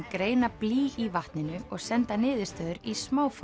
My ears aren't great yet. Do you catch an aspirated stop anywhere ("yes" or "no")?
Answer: no